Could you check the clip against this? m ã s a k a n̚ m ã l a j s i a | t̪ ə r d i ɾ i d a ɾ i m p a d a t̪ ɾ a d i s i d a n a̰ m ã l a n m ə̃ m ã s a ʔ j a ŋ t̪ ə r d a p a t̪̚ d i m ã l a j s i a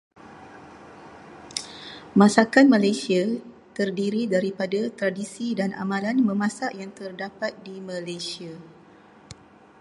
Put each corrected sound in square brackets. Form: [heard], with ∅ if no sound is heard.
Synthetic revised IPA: m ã s a k a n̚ m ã l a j s i a | t̪ ə r d i ɾ i d a ɾ i [∅] p a d a t̪ ɾ a d i s i d a n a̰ m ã l a n m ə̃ m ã s a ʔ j a ŋ t̪ ə r d a p a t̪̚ d i m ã l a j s i a

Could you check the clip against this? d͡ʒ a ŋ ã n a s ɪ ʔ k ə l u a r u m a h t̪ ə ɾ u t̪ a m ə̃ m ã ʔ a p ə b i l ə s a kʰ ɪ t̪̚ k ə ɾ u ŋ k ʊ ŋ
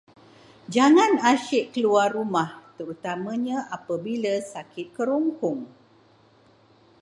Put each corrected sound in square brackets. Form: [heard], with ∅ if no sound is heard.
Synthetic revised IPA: d͡ʒ a ŋ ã n a [ʃ] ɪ ʔ k ə l u a r u m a h t̪ ə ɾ u t̪ a m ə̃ [ɲ] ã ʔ a p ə b i l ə s a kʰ ɪ t̪̚ k ə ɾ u ŋ k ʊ ŋ

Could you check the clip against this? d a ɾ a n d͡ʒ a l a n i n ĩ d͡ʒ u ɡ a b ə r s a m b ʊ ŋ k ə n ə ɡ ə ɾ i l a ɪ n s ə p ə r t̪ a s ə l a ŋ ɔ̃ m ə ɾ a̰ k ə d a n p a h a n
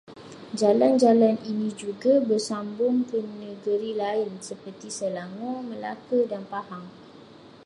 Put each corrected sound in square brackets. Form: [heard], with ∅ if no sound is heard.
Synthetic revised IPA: [d͡ʒ] a [l] a n d͡ʒ a l a n i n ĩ d͡ʒ u ɡ a b ə r s a m b ʊ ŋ k ə n ə ɡ ə ɾ i l a ɪ n s ə p ə r t̪ [i] s ə l a ŋ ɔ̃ m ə [l] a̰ k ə d a n p a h a [ŋ]

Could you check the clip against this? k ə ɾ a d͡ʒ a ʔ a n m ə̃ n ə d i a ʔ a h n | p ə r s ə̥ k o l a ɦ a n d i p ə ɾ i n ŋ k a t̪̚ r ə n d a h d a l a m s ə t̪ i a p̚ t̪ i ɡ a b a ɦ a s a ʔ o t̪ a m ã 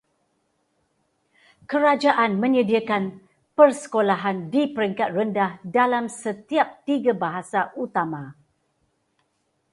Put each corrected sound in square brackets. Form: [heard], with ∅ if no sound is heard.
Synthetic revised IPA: k ə ɾ a d͡ʒ a ʔ a n m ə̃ [ɲ] ə d i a [k] a [∅] n | p ə r s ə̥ k o l a ɦ a n d i p ə ɾ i [∅] ŋ k a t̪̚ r ə n d a h d a l a m s ə t̪ i a p̚ t̪ i ɡ a b a ɦ a s a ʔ [u] t̪ a m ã

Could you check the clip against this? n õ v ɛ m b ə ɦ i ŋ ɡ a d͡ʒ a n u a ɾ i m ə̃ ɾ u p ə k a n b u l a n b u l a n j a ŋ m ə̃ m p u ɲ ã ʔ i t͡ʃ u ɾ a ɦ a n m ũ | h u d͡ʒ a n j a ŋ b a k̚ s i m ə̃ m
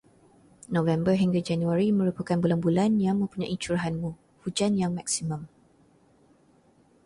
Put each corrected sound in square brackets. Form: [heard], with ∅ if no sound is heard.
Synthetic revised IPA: n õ v ɛ m b ə ɦ i ŋ ɡ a d͡ʒ a n u a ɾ i m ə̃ ɾ u p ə k a n b u l a n b u l a n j a ŋ m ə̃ m p u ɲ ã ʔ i t͡ʃ u ɾ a ɦ a n m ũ | h u d͡ʒ a n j a ŋ [m] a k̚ s i m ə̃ m

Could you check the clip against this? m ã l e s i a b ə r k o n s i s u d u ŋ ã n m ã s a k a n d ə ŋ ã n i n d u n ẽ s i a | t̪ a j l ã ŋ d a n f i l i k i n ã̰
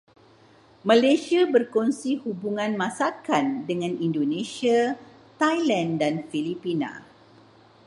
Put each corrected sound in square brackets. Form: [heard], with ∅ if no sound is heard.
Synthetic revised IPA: m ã l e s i a b ə r k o n s i [h] u [b] u ŋ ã n m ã s a k a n d ə ŋ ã n i n d [o] n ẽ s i a | t̪ a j l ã [n] d a n f i l i [p] i n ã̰

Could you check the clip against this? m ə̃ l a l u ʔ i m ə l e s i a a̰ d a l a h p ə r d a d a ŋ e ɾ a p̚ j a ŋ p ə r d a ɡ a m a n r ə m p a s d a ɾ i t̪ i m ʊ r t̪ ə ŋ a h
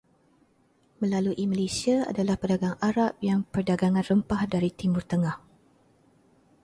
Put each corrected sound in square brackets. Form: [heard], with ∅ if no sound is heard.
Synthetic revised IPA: m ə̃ l a l u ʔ i m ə l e s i a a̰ d a l a h p ə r d a [ɡ] a ŋ [a] ɾ a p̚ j a ŋ p ə r d a ɡ a [ŋ] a n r ə m p a [h] d a ɾ i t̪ i m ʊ r t̪ ə ŋ a h

